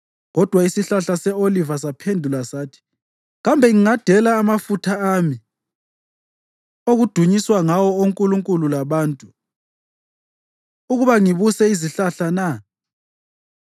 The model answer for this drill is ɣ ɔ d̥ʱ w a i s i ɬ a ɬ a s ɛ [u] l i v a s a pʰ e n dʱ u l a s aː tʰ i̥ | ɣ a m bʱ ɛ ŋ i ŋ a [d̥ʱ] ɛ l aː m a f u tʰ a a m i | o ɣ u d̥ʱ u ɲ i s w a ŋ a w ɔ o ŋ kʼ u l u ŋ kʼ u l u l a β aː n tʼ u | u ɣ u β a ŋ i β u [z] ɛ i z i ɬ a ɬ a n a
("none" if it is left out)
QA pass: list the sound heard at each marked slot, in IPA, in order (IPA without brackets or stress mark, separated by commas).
o, d̥ʱ, s